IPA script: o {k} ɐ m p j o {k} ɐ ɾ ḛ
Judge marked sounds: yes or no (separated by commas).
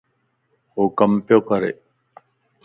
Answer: yes, yes